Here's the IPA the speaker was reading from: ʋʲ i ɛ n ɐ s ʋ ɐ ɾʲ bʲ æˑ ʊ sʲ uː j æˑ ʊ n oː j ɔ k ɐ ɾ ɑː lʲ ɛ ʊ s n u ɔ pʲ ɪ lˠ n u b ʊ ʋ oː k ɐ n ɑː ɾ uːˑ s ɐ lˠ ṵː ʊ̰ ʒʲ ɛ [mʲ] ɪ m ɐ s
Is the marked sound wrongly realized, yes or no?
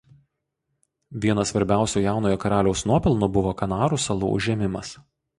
no